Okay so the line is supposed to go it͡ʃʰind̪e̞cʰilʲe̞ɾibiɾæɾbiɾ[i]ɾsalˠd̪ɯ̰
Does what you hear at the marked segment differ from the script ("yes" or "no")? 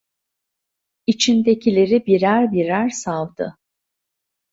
yes